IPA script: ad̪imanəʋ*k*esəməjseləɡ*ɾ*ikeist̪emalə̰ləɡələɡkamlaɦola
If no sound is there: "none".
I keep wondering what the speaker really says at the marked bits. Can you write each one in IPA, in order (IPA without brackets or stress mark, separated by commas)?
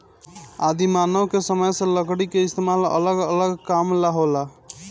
k, ɽ